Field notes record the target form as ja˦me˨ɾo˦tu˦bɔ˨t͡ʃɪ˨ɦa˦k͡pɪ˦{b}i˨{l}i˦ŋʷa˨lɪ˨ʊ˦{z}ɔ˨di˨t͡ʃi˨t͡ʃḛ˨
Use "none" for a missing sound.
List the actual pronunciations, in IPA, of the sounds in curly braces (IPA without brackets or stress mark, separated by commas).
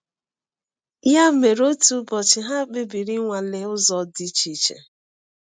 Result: b, ɾ, z